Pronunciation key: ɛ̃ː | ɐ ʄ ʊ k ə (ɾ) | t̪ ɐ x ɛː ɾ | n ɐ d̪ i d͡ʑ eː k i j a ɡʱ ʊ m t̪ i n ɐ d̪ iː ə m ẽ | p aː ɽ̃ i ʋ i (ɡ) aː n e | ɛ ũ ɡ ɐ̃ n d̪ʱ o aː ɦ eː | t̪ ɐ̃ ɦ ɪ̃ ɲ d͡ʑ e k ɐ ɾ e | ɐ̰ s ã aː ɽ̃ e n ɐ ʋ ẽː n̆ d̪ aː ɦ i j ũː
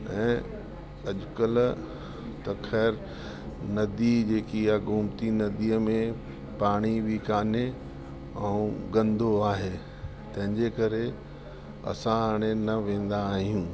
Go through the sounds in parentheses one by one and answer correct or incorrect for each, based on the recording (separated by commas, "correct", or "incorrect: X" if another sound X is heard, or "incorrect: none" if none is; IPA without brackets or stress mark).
incorrect: l, incorrect: k